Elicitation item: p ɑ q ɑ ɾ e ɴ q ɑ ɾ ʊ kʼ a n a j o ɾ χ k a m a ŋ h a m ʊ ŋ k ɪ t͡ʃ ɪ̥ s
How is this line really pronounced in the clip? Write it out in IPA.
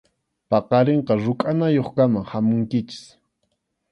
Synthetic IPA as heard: p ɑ q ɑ ɾ e ɴ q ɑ ɾ ʊ kʼ a n a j o χ k a m a ŋ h a m ʊ ŋ k ɪ t͡ʃ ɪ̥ s

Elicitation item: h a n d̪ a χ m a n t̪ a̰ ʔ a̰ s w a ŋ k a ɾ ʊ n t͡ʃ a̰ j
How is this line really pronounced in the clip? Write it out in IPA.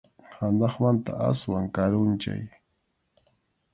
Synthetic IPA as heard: h a n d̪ ɑ χ m a n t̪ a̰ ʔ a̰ s w a ŋ k a ɾ ʊ n t͡ʃ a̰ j

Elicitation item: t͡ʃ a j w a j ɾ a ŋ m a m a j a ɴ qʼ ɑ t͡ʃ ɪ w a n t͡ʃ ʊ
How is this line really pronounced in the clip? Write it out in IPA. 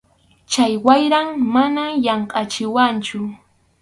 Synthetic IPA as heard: t͡ʃ a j w a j ɾ a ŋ m a n a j ɑ ɴ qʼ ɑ t͡ʃ ɪ w a n t͡ʃ ʊ

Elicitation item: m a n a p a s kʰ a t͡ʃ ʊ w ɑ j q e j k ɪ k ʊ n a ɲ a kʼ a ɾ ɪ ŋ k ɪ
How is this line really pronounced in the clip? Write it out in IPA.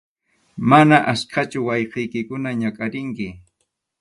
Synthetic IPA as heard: m a n a ʔ a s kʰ a t͡ʃ ʊ w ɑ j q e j k ɪ k ʊ n a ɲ a kʼ a ɾ ɪ ŋ k ɪ

